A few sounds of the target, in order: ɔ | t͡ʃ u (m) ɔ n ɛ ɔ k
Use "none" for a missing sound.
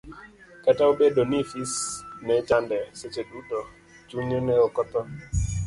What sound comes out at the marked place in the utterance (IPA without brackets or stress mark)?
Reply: ɲ